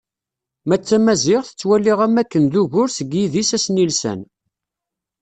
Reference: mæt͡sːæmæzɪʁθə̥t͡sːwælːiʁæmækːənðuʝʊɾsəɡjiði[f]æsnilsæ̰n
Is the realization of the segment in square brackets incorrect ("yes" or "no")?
yes